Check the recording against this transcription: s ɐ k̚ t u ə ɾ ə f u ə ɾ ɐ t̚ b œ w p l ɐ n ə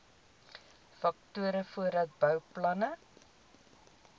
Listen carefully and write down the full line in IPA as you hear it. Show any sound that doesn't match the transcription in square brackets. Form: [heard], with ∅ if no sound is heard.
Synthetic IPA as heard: [f] ɐ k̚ t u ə ɾ ə f u ə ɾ ɐ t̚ b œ w p l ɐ n ə